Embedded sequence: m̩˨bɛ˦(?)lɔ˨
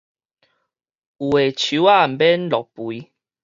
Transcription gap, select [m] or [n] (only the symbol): n